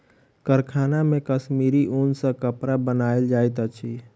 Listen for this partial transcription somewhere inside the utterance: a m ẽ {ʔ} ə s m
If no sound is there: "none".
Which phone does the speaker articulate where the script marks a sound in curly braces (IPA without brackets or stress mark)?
k